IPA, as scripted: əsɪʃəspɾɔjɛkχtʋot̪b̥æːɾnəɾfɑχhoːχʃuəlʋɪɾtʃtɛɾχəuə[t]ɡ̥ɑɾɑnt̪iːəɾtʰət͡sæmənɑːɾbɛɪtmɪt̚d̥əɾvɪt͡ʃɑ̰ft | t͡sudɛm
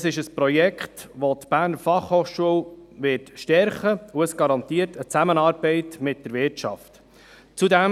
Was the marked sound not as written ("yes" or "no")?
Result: yes